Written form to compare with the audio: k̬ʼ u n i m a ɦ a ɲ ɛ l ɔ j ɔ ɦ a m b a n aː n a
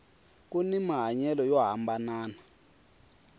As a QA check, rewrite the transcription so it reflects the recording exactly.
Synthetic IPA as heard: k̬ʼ u n i m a ɦ a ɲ ɛ l ɔ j ɔ ɦ a m b a n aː n a